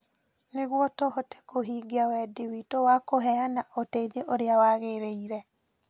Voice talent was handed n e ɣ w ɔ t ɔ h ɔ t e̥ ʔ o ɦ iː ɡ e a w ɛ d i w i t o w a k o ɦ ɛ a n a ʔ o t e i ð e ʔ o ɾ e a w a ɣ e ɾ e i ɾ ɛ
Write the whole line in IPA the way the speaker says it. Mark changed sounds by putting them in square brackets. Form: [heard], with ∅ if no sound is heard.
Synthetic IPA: n e ɣ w ɔ t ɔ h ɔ t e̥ [k] o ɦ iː ɡ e a w ɛ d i w i t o w a k o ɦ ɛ a n a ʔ o t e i ð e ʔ o ɾ e a w a ɣ e ɾ e i ɾ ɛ